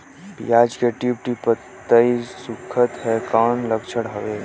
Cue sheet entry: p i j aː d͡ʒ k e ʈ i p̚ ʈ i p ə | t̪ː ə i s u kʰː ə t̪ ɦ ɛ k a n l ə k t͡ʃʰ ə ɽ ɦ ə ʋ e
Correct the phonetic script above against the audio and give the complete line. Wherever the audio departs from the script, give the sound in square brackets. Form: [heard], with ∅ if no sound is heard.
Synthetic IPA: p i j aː d͡ʒ k e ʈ i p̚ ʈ i p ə | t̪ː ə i s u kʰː ə t̪ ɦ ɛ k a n l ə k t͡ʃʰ ə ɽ ɦ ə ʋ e